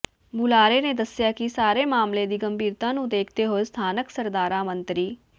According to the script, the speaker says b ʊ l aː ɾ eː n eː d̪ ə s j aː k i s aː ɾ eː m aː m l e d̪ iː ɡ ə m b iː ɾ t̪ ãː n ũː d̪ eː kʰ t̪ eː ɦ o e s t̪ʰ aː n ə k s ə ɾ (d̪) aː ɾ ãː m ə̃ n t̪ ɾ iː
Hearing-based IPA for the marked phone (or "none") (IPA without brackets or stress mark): d̪